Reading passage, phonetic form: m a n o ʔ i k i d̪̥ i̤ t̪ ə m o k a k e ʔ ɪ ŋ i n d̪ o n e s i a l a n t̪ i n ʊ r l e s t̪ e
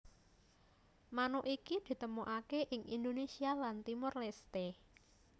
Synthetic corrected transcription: m a n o ʔ i k i d̪̥ i̤ t̪ ə m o ʔ a k e ʔ ɪ ŋ i n d̪ o n e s i a l a n t̪ i m ʊ r l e s t̪ e

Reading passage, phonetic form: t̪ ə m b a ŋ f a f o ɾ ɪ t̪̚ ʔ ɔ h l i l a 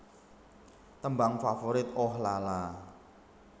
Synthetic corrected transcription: t̪ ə m b a ŋ f a f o ɾ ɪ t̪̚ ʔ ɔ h l a l a

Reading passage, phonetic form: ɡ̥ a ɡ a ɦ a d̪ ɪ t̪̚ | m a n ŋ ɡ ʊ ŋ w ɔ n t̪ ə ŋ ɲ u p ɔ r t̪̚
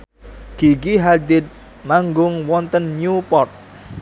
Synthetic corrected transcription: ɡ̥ i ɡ i ɦ a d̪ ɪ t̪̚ | m a ŋ ɡ ʊ ŋ w ɔ n t̪ ə n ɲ u p ɔ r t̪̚

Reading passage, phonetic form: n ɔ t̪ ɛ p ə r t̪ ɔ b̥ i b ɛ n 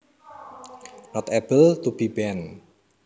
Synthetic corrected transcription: n ɔ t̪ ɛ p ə l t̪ u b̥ i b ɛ n

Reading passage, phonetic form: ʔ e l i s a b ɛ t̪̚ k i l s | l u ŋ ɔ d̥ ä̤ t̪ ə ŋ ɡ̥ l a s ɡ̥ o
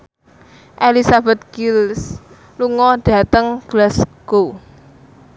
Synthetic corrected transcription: ʔ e l i s a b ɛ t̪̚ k i l s | l u ŋ ɔ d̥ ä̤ t̪ ə ŋ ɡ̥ l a s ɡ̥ o

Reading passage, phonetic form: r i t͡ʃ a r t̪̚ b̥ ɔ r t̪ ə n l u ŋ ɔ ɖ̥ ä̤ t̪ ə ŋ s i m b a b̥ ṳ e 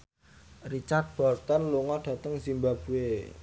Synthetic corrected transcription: r i t͡ʃ a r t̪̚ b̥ ɔ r t̪ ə n l u ŋ ɔ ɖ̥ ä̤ t̪ ə ŋ s i m b a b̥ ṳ e

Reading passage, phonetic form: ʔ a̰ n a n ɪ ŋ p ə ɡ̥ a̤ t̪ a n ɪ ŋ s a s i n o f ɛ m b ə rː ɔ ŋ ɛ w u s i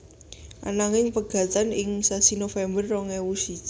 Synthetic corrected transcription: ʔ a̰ n a ŋ ɪ ŋ p ə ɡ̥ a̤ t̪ a n ɪ ŋ s a s i n o f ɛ m b ə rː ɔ ŋ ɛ w u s i

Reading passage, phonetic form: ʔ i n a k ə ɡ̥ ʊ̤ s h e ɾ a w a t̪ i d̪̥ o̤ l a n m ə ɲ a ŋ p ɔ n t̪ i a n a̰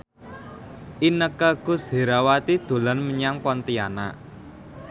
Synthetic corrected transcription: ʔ i n ə k ə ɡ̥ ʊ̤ s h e ɾ a w a t̪ i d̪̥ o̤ l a n m ə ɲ a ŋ p ɔ n t̪ i a n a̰

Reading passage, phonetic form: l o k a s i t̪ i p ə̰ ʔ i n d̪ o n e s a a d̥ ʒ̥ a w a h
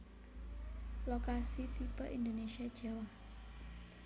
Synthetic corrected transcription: l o k a s i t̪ i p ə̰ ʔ i n d̪ o n e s i a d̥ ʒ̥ a w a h

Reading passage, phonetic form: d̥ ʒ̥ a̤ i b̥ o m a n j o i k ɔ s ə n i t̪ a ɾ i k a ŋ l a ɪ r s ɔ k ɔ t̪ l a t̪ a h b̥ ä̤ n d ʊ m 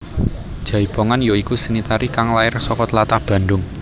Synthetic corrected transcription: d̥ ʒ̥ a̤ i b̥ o ŋ a n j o i k u s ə n i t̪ a ɾ i k a ŋ l a ɪ r s ɔ k ɔ t̪ l a t̪ a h b̥ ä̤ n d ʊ ŋ

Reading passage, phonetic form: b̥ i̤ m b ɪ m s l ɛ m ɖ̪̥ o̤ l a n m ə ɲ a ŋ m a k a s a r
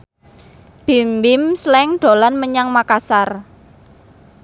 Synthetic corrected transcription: b̥ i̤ m b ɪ m s l ɛ ŋ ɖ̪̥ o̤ l a n m ə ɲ a ŋ m a k a s a r

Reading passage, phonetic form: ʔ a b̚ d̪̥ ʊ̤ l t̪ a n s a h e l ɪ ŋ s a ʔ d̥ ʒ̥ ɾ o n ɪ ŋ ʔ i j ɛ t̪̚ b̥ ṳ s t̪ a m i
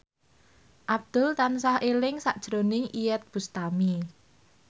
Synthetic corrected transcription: ʔ a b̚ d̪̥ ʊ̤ l t̪ a n s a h e l ɪ ŋ s a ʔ d̥ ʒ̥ ɾ o n ɪ ŋ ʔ i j ɛ t̪̚ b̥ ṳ s t̪ a m i

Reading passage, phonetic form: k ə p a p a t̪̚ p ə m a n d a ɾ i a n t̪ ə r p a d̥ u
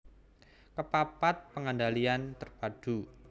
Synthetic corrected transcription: k ə p a p a t̪̚ p ə ŋ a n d a l i a n t̪ ə r p a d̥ u

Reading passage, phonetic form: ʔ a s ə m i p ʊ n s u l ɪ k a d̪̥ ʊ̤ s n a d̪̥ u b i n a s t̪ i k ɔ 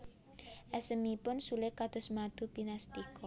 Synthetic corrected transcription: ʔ ɛ s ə m i p ʊ n s u l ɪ k a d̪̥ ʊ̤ s m a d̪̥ u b i n a s t̪ i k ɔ

